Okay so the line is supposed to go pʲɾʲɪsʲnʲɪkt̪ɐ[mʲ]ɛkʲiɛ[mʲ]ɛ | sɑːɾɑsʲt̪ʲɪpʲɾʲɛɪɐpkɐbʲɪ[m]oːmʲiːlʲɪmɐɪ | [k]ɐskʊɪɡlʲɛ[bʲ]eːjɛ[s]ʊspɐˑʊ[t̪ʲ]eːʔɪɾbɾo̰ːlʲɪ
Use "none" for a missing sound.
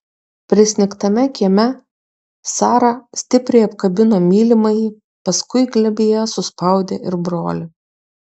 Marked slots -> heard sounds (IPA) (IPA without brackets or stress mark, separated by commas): mʲ, mʲ, n, p, bʲ, s, d̪ʲ